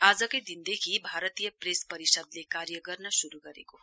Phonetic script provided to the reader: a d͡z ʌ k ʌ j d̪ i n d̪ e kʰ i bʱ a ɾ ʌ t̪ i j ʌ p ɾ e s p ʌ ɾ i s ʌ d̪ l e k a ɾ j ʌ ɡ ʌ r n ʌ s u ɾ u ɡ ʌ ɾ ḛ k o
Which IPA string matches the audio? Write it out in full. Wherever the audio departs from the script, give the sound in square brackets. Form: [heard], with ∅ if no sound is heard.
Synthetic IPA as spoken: a d͡z ʌ k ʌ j d̪ i n d̪ e kʰ i bʱ a ɾ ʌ t̪ i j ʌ p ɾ e s p ʌ ɾ i s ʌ d̪ l e k a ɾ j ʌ ɡ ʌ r n ʌ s u ɾ u ɡ ʌ ɾ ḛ k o